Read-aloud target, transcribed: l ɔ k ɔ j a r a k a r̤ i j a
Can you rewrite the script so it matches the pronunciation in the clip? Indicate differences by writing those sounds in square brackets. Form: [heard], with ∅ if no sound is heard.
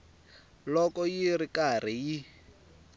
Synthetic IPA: l ɔ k ɔ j [i] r [i] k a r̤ i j [i]